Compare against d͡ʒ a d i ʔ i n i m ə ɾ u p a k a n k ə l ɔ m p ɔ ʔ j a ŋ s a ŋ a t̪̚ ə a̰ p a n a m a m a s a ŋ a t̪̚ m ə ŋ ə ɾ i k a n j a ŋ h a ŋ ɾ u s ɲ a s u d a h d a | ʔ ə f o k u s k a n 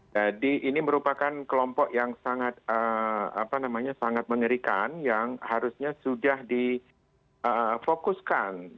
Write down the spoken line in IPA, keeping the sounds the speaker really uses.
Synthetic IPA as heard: d͡ʒ a d i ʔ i n i m ə ɾ u p a k a n k ə l ɔ m p ɔ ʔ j a ŋ s a ŋ a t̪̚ ə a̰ p a n a m a ɲ a s a ŋ a t̪̚ m ə ŋ ə ɾ i k a n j a ŋ h a ɾ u s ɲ a s u d a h d i | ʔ ə f o k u s k a n

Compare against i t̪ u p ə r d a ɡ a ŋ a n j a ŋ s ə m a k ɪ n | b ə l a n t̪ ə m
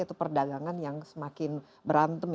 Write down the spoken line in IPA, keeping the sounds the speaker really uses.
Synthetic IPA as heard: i t̪ u p ə r d a ɡ a ŋ a n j a ŋ s ə m a k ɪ n | b ə ɾ a n t̪ ə m

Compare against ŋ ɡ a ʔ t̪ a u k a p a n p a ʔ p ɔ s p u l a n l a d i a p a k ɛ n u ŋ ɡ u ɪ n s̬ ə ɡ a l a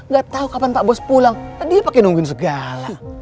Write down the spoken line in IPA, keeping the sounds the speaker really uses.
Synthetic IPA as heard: ŋ ɡ a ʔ t̪ a u k a p a n p a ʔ b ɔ s p u l a ŋ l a d i a p a k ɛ n u ŋ ɡ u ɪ n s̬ ə ɡ a l a

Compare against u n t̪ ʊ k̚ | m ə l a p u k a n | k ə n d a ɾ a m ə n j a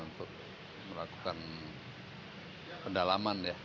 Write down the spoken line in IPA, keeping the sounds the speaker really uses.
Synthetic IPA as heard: u n t̪ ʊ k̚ | m ə l a k u k a n | p ə n d a l a m a n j a

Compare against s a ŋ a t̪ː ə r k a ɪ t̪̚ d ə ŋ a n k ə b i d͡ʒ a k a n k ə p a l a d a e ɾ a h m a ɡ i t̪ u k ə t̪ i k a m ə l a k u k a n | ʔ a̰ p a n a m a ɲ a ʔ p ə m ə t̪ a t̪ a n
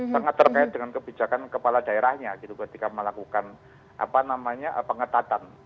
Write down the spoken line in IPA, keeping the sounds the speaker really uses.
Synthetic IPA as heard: s a ŋ a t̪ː ə r k a ɪ t̪̚ d ə ŋ a n k ə b i d͡ʒ a k a n k ə p a l a d a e ɾ a h ɲ a ɡ i t̪ u k ə t̪ i k a m ə l a k u k a n | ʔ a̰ p a n a m a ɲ a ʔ p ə ŋ ə t̪ a t̪ a n

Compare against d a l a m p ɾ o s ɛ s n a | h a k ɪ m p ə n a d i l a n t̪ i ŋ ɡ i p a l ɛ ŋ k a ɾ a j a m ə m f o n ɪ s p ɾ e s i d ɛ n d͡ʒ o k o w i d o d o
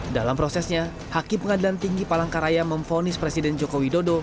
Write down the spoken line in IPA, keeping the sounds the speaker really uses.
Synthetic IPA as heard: d a l a m p ɾ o s ɛ s ɲ a | h a k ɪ m p ə ŋ a d i l a n t̪ i ŋ ɡ i p a l a ŋ k a ɾ a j a m ə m f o n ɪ s p ɾ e s i d ɛ n d͡ʒ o k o w i d o d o

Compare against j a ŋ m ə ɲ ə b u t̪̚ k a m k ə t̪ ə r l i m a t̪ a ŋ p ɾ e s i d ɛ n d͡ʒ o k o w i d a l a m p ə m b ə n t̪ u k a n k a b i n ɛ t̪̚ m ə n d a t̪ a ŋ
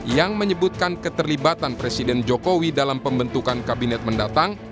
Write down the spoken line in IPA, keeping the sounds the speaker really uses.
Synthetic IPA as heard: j a ŋ m ə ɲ ə b u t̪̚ k a n k ə t̪ ə r l i b a t̪ a n p ɾ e s i d ɛ n d͡ʒ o k o w i d a l a m p ə m b ə n t̪ u k a n k a b i n ɛ t̪̚ m ə n d a t̪ a ŋ

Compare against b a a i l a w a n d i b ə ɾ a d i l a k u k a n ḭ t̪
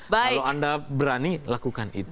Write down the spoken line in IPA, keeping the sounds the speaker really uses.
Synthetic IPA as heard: b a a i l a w a n d a b ə ɾ a n i l a k u k a n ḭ t̪

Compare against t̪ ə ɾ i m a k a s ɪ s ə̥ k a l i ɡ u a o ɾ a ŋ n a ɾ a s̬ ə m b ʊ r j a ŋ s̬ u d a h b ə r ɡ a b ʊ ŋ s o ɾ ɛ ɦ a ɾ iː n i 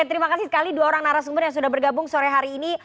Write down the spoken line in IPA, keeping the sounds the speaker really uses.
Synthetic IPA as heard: t̪ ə ɾ i m a k a s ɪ s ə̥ k a l i d u a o ɾ a ŋ n a ɾ a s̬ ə m b ʊ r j a ŋ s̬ u d a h b ə r ɡ a b ʊ ŋ s o ɾ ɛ ɦ a ɾ iː n i

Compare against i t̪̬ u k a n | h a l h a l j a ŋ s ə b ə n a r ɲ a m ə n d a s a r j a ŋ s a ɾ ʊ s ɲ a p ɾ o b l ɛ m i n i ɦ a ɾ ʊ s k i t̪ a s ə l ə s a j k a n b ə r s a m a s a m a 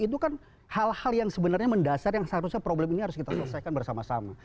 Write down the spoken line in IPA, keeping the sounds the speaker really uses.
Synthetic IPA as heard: i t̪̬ u k a n | h a l h a l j a ŋ s ə b ə n a r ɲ a m ə n d a s a r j a ŋ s a ɾ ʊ s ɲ a p ɾ o b l ɛ m i n i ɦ a ɾ ʊ s k i t̪ a s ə l ə s a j k a n b ə r s a m a s a m a

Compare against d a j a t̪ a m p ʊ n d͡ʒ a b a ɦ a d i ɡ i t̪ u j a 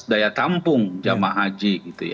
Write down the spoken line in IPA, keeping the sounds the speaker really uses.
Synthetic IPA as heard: d a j a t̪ a m p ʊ ŋ d͡ʒ a m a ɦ a d͡ʒ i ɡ i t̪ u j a

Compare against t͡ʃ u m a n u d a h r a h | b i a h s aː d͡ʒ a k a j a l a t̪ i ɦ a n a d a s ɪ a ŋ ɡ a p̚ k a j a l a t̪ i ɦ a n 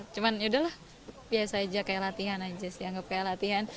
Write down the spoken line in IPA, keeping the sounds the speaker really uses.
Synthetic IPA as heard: t͡ʃ u m a n u d a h l a h | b i a s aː d͡ʒ a k a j a l a t̪ i ɦ a n a d͡ʒ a s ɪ a ŋ ɡ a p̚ k a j a l a t̪ i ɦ a n

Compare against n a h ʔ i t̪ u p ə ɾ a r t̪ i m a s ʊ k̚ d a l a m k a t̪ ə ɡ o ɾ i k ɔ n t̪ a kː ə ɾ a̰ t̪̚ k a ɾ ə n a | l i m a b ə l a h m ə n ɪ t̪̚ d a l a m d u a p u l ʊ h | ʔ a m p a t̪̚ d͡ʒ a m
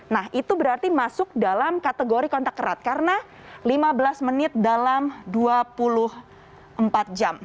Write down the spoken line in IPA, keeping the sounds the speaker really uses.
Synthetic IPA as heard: n a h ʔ i t̪ u b ə ɾ a r t̪ i m a s ʊ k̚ d a l a m k a t̪ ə ɡ o ɾ i k ɔ n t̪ a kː ə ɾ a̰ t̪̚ k a ɾ ə n a | l i m a b ə l a s m ə n ɪ t̪̚ d a l a m d u a p u l ʊ h | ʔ ə m p a t̪̚ d͡ʒ a m

